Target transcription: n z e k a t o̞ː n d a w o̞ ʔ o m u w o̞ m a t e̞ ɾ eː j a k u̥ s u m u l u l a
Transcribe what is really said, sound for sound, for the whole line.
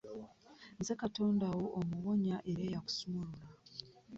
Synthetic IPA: n z e k a t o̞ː n d a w o̞ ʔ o m u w o̞ ɲ a ʔ e̞ ɾ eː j a k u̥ s u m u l u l a